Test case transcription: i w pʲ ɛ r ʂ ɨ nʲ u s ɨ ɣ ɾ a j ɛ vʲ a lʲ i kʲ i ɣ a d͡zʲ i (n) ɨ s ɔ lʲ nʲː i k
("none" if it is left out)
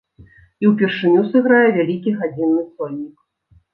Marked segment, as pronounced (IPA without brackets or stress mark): nː